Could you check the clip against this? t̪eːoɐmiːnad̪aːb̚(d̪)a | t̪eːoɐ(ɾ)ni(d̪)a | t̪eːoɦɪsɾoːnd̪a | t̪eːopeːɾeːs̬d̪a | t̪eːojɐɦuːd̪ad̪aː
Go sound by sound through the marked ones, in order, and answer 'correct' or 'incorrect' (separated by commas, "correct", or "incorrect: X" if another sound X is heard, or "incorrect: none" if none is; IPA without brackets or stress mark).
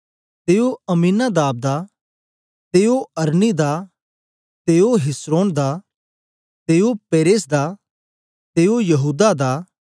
correct, correct, correct